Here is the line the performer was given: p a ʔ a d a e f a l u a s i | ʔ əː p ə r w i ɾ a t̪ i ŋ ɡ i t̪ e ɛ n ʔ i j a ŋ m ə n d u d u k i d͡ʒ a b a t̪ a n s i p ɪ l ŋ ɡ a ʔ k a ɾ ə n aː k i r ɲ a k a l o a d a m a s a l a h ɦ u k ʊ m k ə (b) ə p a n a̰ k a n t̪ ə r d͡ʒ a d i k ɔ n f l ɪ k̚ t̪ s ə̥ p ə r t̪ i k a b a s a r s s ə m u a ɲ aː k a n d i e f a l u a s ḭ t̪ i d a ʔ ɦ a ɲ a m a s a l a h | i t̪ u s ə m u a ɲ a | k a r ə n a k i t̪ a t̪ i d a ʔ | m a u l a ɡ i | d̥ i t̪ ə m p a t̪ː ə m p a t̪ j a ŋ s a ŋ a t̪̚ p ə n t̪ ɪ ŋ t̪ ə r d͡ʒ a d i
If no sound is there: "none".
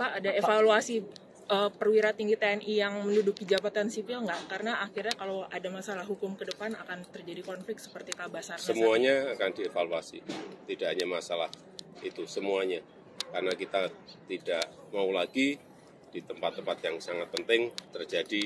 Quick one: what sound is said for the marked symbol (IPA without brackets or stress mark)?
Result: d